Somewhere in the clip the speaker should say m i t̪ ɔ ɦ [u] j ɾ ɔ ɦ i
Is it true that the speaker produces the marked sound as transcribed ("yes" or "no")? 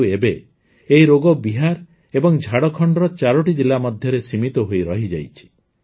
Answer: no